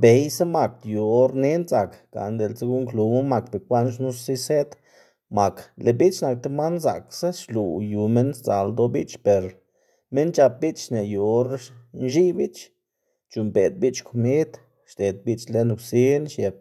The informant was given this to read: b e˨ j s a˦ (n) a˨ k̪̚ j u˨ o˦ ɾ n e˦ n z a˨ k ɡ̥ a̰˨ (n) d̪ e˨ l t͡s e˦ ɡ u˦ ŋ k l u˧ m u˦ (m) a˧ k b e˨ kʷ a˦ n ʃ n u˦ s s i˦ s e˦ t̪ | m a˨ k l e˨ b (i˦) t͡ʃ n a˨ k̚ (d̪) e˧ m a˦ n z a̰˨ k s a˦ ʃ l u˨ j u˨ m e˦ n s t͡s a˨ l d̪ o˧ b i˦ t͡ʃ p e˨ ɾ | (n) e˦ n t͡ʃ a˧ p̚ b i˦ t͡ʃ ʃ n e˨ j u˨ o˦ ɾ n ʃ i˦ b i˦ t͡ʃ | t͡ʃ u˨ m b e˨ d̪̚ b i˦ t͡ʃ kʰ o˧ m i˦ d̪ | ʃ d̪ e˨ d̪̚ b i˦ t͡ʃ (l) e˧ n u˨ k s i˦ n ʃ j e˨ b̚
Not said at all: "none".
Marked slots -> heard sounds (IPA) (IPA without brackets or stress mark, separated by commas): m, n, m, i˦, t̪, m, l